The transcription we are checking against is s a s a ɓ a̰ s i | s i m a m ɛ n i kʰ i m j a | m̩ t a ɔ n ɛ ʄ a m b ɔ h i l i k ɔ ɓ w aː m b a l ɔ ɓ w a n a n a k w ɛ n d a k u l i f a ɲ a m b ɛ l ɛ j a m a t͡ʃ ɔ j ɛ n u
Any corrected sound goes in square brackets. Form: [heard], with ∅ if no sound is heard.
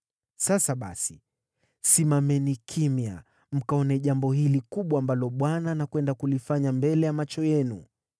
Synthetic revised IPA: s a s a ɓ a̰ s i | s i m a m ɛ n i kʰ i m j a | m̩ [k] a ɔ n ɛ ʄ a m b ɔ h i l i k [u] ɓ w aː m b a l ɔ ɓ w a n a n a k w ɛ n d a k u l i f a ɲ a m b ɛ l ɛ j a m a t͡ʃ ɔ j ɛ n u

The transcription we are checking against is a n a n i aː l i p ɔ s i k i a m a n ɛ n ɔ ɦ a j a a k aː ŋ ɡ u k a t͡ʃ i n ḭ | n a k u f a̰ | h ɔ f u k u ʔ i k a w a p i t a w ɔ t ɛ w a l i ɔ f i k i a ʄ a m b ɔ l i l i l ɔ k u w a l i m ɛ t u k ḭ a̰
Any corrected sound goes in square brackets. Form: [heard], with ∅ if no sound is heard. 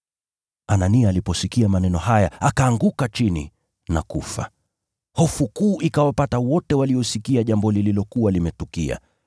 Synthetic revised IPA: a n a n i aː l i p ɔ s i k i a m a n ɛ n ɔ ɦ a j a a k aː ŋ ɡ u k a t͡ʃ i n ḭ | n a k u f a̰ | h ɔ f u k [uː] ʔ i k a w a p [a] t a w ɔ t ɛ w a l i ɔ [s] i k i a ʄ a m b ɔ l i l i l ɔ k u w a l i m ɛ t u k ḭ a̰

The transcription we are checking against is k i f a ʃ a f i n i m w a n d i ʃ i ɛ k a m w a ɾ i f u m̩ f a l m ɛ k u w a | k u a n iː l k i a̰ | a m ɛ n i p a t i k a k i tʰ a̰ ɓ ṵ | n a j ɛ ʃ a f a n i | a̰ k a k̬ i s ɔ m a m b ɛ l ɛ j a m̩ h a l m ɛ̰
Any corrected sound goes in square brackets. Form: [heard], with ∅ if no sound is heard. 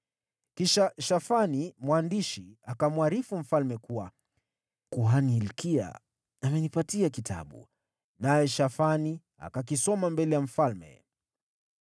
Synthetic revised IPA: k i [ʃ] a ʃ a f [a] n i m w a n d i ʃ i [a] k a m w a ɾ i f u m̩ f a l m ɛ k u w a | k u a n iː l k i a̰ | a m ɛ n i p a t i [∅] a k i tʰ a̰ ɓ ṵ | n a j ɛ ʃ a f a n i | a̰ k a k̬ i s ɔ m a m b ɛ l ɛ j a m̩ [f] a l m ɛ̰

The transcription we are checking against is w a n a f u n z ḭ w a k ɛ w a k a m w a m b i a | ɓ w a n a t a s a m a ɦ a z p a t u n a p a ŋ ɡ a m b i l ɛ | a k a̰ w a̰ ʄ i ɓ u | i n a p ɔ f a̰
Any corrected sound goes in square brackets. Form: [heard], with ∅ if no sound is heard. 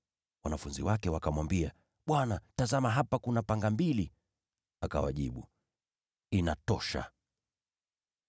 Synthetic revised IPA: w a n a f u n z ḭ w a k ɛ w a k a m w a m b i a | ɓ w a n a t a [z] a m a ɦ a [∅] p a [k] u n a p a ŋ ɡ a m b i l [i] | a k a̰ w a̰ ʄ i ɓ u | i n a [t] ɔ [ʃ] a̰

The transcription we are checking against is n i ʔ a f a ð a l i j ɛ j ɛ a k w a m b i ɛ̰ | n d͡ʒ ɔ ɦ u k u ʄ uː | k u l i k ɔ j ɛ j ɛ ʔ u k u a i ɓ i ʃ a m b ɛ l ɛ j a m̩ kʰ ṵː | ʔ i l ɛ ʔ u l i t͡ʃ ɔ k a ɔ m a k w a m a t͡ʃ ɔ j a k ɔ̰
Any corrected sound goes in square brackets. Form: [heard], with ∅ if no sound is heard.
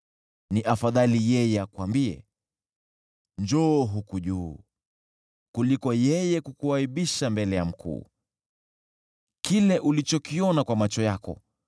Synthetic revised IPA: n i ʔ a f a ð a l i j ɛ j ɛ a k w a m b i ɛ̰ | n d͡ʒ ɔ ɦ u k u ʄ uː | k u l i k ɔ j ɛ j ɛ [k] u k u a i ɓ i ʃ a m b ɛ l ɛ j a m̩ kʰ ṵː | [k] i l ɛ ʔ u l i t͡ʃ ɔ k [i] ɔ [n] a k w a m a t͡ʃ ɔ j a k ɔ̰

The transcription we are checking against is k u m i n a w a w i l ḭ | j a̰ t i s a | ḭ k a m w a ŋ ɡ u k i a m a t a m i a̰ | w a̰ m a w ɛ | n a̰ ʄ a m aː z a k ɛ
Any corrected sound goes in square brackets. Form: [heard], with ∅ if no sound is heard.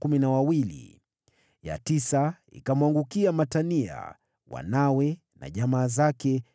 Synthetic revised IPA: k u m i n a w a w i l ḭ | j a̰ t i s a | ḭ k a m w a ŋ ɡ u k i a m a t a [n] i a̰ | w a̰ [n] a w ɛ | n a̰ ʄ a m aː z a k ɛ

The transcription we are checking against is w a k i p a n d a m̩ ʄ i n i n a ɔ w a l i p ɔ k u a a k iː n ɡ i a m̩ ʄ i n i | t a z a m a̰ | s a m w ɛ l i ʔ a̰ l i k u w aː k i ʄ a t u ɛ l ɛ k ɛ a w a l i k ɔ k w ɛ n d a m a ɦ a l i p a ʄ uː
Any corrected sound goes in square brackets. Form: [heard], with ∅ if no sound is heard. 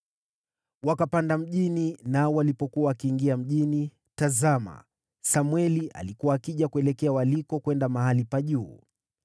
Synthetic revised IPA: w a k [a] p a n d a m̩ ʄ i n i n a ɔ w a l i p ɔ k u a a k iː [ŋ] ɡ i a m̩ ʄ i n i | t a z a m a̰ | s a m w ɛ l i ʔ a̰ l i k u w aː k i ʄ a [k] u ɛ l ɛ k ɛ a w a l i k ɔ k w ɛ n d a m a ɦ a l i p a ʄ uː

